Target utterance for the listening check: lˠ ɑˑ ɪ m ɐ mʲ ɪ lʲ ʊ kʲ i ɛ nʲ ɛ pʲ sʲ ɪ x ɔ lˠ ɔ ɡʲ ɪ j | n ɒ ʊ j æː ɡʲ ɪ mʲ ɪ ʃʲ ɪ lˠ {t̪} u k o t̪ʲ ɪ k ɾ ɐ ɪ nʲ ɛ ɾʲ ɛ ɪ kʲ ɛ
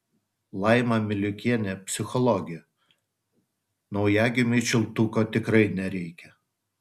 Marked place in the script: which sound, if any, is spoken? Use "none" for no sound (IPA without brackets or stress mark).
t̪